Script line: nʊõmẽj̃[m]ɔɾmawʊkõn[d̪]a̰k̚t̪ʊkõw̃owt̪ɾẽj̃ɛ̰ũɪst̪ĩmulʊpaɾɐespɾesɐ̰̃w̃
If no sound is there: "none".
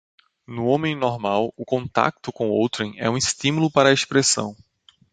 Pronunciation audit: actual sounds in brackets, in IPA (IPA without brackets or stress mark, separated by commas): n, t̪